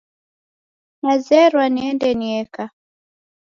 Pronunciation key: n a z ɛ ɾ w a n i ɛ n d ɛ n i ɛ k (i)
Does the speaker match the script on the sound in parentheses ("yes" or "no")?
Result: no